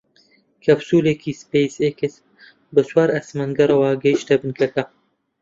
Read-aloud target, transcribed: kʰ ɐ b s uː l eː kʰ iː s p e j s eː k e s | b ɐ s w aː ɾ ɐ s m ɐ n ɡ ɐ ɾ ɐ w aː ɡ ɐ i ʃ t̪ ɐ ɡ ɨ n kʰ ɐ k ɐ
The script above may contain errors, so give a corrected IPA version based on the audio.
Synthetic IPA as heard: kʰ ɐ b s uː l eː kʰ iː s p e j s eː k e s | b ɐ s w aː ɾ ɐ s m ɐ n ɡ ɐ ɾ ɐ w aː ɡ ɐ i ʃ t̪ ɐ b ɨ n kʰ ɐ k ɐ

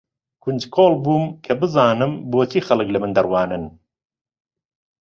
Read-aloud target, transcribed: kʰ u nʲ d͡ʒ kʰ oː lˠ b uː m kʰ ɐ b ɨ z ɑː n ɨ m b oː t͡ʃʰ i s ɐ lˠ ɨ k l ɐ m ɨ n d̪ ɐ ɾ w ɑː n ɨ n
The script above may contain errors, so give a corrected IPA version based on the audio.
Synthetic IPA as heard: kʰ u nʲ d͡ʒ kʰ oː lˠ b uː m kʰ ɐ b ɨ z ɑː n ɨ m b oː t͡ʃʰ i x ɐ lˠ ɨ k l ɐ m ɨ n d̪ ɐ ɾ w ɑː n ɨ n

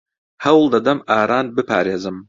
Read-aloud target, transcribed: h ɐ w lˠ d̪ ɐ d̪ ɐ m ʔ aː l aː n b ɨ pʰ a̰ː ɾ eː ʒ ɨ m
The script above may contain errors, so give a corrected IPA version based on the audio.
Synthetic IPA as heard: h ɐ w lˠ d̪ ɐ d̪ ɐ m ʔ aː ɾ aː n b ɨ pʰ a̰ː ɾ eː z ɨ m

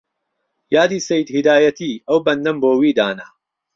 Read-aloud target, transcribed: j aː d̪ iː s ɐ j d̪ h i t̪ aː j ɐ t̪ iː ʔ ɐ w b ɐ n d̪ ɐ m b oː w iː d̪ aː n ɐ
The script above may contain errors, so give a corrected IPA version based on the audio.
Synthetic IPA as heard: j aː d̪ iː s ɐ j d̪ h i d̪ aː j ɐ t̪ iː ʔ ɐ w b ɐ n d̪ ɐ m b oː w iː d̪ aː n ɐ

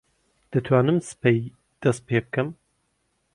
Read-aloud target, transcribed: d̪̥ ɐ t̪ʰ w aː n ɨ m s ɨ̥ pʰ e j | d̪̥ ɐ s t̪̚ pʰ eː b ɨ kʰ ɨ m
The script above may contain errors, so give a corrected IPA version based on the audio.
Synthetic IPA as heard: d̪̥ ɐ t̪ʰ w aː n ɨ m s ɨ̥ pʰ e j | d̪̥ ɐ s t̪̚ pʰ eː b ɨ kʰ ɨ m

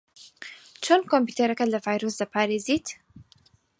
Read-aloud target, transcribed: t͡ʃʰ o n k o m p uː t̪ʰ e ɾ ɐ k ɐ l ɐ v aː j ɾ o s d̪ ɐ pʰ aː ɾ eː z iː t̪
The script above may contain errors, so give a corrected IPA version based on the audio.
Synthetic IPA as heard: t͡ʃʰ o n k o m p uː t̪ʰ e ɾ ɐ k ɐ l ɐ v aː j ɾ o s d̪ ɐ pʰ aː ɾ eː z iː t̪

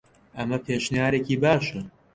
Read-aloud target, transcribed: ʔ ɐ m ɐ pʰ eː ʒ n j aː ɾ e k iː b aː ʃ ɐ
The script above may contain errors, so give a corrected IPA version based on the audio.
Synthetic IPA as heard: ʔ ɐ m ɐ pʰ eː ʃ n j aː ɾ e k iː b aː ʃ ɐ

